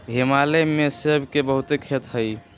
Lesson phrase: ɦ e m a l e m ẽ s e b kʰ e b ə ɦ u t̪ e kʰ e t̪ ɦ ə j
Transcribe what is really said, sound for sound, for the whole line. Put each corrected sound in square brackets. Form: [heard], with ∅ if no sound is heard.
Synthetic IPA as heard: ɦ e m a l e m [e] s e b [k] e b ə ɦ u t̪ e kʰ e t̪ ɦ ə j